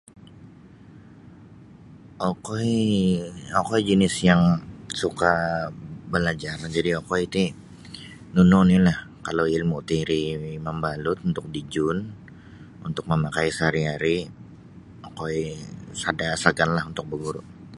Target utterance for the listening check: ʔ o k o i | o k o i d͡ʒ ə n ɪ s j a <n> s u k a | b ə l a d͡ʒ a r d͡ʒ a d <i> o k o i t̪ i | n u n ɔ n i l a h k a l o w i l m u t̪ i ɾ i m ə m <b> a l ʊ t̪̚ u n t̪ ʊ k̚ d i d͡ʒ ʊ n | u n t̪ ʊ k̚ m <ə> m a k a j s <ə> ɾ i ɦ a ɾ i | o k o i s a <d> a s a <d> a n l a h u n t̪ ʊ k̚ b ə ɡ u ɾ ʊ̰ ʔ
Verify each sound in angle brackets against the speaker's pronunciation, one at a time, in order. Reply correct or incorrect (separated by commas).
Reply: incorrect, correct, correct, correct, incorrect, correct, incorrect